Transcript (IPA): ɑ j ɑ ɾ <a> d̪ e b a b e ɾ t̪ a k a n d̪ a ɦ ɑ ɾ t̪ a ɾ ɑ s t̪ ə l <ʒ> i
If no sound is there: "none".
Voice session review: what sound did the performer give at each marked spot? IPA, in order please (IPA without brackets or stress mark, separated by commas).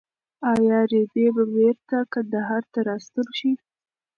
e, ʃ